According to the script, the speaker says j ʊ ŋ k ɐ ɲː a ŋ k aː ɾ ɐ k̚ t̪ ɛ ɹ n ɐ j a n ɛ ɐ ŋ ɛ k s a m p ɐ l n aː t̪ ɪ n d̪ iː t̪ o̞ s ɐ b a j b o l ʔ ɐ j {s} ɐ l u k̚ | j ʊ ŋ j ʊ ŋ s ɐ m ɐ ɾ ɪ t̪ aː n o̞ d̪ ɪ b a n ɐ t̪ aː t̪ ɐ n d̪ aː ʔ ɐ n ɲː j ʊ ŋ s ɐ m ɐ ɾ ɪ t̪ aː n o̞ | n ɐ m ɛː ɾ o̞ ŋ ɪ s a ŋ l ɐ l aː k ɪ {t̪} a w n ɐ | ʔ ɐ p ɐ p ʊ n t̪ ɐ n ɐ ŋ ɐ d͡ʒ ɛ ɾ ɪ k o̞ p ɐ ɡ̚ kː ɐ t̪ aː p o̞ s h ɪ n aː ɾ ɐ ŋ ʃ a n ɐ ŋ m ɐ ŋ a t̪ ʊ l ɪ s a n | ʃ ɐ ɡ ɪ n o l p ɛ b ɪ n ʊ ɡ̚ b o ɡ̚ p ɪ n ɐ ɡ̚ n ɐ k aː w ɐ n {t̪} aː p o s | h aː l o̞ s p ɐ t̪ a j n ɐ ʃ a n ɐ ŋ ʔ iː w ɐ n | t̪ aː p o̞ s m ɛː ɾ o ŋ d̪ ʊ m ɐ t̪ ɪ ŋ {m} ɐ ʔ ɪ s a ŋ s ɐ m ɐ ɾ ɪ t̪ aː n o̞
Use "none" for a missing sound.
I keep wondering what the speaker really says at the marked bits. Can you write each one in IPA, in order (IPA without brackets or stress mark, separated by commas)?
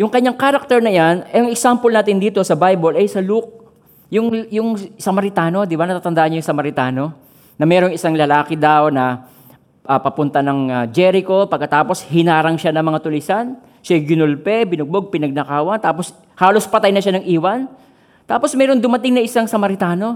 s, d̪, t̪, n